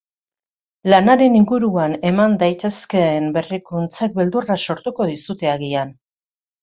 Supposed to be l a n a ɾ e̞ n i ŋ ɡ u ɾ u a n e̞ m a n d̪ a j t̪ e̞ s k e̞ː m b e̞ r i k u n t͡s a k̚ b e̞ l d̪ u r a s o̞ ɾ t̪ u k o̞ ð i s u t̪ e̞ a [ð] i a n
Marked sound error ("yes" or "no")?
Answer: yes